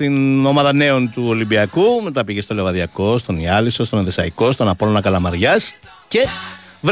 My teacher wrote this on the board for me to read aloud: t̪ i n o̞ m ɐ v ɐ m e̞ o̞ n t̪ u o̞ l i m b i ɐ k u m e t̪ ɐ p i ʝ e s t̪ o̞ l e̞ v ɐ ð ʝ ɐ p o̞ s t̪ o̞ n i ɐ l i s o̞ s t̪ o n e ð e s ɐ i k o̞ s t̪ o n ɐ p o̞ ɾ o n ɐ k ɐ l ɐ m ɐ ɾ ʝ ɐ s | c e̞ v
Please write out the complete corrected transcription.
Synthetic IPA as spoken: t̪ i n o̞ m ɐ ð ɐ n e̞ o̞ n t̪ u o̞ l i m b i ɐ k u m e t̪ ɐ p i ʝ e s t̪ o̞ l e̞ v ɐ ð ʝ ɐ k o̞ s t̪ o̞ n i ɐ l i s o̞ s t̪ o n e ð e s ɐ i k o̞ s t̪ o n ɐ p o̞ l o n ɐ k ɐ l ɐ m ɐ ɾ ʝ ɐ s | c e̞ v